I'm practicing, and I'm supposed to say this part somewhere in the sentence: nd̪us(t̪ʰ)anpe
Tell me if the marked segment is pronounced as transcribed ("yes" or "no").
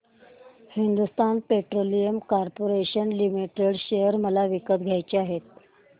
no